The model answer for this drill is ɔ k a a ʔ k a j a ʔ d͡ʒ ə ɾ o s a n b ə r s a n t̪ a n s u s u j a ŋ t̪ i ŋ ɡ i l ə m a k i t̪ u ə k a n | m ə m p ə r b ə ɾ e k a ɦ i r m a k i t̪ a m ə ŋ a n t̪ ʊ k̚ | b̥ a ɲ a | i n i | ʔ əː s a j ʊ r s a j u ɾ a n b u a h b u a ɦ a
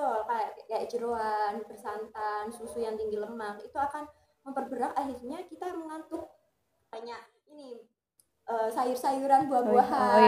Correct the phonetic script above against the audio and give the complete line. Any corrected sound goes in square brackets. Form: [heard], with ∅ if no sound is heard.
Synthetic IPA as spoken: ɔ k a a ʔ k a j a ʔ d͡ʒ ə ɾ o [∅] a n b ə r s a n t̪ a n s u s u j a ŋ t̪ i ŋ ɡ i l ə m a k i t̪ u [a] k a n | m ə m p ə r b ə ɾ [a] k a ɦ i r [ɲ] a k i t̪ a m ə ŋ a n t̪ ʊ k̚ | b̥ a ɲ a | i n i | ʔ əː s a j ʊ r s a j u ɾ a n b u a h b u a ɦ a